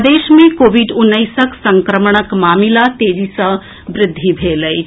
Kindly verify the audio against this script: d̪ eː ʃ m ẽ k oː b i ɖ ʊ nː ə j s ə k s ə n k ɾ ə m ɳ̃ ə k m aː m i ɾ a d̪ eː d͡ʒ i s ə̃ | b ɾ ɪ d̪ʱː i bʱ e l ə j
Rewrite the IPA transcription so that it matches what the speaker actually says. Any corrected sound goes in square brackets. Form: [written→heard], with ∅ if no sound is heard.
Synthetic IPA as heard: d̪ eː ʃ m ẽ k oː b i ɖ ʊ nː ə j s ə k s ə [n→ŋ] k ɾ ə m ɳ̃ ə k m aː m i [ɾ→l] a [d̪→t̪] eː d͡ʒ i s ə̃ | b ɾ ɪ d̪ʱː i bʱ e l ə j